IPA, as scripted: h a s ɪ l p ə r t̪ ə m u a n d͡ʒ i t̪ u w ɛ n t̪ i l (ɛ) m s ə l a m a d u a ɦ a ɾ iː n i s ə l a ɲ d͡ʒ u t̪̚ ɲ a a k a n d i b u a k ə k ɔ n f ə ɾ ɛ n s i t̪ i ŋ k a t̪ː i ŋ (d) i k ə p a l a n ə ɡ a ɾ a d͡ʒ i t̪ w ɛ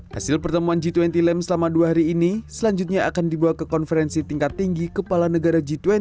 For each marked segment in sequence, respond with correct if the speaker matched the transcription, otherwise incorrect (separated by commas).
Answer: correct, incorrect